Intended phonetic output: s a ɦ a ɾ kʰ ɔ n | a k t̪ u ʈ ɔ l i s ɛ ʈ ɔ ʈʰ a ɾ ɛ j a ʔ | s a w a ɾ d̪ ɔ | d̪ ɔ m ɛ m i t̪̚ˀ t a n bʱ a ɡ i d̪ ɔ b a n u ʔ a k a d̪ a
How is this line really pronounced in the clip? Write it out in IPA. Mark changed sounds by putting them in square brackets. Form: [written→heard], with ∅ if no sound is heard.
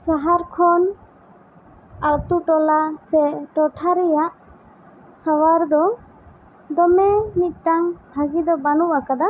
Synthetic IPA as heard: s a ɦ a ɾ kʰ ɔ n | a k t̪ u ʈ ɔ l [i→a] s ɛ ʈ ɔ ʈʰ a ɾ ɛ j a ʔ | s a w a ɾ d̪ ɔ | d̪ ɔ m ɛ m i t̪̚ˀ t a [n→ŋ] bʱ a ɡ i d̪ ɔ b a n u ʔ a k a d̪ a